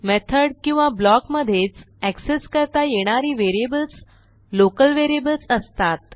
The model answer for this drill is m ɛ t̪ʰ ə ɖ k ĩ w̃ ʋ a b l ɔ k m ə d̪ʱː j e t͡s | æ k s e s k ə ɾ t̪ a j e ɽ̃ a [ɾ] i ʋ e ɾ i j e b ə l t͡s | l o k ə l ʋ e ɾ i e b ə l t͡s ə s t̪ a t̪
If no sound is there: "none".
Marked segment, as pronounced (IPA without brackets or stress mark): ɾ